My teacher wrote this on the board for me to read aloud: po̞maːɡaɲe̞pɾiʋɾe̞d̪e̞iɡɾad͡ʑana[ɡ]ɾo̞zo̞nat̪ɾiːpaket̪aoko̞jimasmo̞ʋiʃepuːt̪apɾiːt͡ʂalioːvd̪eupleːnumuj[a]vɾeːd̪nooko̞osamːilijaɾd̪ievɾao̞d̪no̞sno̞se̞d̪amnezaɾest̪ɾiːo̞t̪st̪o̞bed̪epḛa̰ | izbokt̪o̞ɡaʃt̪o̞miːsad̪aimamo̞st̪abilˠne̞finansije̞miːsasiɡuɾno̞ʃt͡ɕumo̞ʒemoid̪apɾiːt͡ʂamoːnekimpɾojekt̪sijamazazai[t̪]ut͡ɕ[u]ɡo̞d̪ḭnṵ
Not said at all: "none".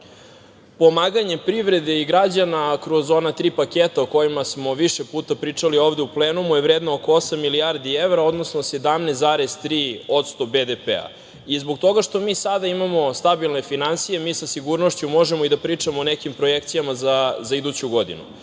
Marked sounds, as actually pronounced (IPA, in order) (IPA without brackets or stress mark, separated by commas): k, e, d̪, u